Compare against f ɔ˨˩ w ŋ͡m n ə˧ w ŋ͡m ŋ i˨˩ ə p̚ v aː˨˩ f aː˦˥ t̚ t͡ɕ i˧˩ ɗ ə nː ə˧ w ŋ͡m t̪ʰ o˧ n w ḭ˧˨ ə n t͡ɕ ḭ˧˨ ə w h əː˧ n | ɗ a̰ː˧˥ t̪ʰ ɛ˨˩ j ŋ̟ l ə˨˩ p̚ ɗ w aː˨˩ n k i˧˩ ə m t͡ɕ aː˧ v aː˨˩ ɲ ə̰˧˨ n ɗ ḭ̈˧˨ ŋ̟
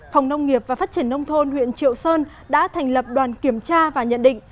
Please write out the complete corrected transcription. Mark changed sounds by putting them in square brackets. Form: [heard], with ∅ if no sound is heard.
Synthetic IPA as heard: f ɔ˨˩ w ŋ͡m n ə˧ w ŋ͡m ŋ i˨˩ ə p̚ v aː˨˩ f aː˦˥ t̚ t͡ɕ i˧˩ [∅] ə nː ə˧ w ŋ͡m t̪ʰ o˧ n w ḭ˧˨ ə n t͡ɕ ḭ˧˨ ə w [s] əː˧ n | ɗ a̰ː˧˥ t̪ʰ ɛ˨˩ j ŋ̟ l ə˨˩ p̚ ɗ w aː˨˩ n k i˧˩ ə m t͡ɕ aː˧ v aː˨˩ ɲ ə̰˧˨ n ɗ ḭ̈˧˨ ŋ̟